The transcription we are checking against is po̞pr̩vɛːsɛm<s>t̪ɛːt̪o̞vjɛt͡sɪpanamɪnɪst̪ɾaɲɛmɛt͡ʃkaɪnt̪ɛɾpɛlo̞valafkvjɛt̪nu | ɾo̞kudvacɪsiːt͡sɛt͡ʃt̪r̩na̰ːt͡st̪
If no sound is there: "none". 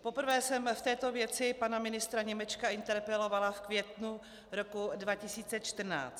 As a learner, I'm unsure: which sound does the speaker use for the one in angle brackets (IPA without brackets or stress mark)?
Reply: f